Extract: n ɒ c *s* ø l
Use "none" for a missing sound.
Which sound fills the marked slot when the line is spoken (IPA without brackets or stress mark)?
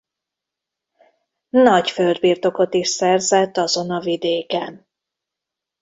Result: f